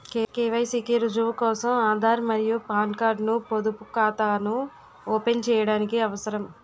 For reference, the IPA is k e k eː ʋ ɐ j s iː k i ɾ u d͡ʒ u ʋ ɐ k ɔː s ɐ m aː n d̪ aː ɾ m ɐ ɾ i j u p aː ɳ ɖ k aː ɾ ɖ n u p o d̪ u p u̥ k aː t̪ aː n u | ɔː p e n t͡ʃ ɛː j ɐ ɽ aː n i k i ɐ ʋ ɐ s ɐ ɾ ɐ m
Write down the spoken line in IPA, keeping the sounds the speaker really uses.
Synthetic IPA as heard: k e k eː ʋ ɐ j s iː k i ɾ u d͡ʒ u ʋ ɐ k ɔː s ɐ m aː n d̪ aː ɾ m ɐ ɾ i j u p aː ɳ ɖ k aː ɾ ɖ n u p o d̪ u p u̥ k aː t̪ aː n u | ɔː p e n t͡ʃ ɛː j ɐ ɽ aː n i k i ɐ ʋ ɐ s ɐ ɾ ɐ m